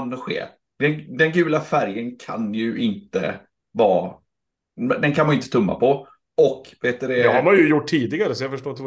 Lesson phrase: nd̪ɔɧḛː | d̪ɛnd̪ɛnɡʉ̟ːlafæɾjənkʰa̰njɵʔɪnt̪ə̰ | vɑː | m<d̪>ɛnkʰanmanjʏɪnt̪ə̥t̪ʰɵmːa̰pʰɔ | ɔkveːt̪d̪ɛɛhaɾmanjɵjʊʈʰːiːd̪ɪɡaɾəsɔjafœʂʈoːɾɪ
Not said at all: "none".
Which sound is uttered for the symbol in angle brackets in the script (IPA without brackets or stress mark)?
d̪